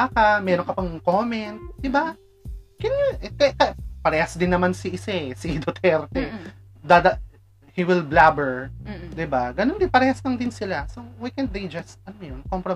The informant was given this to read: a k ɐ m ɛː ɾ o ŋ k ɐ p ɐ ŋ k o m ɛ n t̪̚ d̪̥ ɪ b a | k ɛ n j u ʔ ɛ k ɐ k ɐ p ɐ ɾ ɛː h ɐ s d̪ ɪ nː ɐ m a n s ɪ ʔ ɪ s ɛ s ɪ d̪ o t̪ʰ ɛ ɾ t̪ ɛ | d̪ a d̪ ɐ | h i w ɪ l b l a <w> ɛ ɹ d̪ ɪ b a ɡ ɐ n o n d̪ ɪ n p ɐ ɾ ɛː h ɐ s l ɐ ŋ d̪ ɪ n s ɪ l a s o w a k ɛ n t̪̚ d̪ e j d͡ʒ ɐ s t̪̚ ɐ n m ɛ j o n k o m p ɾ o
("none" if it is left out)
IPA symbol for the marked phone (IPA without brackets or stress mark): b